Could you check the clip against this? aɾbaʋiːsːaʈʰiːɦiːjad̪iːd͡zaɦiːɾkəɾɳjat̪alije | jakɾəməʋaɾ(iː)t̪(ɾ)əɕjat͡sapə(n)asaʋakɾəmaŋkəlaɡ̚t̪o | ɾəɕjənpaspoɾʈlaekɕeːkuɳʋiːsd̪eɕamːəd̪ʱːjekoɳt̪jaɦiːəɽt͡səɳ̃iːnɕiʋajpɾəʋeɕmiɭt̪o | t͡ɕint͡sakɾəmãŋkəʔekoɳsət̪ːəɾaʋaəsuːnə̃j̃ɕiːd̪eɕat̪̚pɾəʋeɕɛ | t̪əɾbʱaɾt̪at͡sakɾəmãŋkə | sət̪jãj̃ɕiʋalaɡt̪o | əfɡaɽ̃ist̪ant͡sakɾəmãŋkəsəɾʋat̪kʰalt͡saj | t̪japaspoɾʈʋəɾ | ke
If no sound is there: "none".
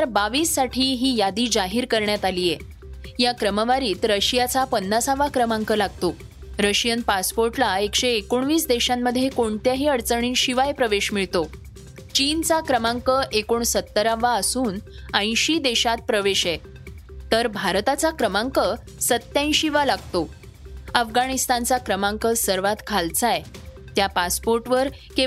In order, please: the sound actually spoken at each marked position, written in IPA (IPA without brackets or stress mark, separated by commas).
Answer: iː, ɾ, nː